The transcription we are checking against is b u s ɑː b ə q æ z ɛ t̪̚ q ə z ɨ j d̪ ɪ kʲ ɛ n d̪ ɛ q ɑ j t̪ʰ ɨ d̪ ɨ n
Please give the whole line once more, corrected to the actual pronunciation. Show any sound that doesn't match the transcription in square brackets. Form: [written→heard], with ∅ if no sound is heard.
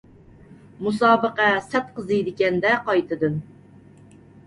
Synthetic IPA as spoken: [b→m] u s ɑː b ə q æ [z→s] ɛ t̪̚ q ə z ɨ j d̪ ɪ kʲ ɛ n d̪ ɛ q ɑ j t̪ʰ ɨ d̪ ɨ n